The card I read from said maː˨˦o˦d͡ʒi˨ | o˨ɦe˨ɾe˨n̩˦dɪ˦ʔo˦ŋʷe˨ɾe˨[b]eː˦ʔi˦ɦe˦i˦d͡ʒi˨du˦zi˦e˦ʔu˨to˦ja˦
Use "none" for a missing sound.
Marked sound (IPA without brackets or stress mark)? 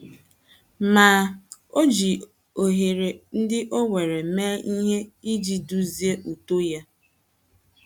m